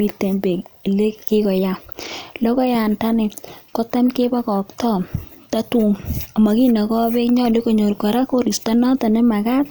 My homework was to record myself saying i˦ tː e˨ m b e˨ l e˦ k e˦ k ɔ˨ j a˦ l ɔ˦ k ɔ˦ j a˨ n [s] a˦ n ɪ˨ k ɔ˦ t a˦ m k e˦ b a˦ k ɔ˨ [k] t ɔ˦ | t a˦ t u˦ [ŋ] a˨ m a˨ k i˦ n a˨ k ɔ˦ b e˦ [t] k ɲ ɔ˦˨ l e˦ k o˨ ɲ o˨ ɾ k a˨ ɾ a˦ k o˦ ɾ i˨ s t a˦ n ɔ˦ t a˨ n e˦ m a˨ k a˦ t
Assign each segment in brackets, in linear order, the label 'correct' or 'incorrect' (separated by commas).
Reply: incorrect, correct, correct, incorrect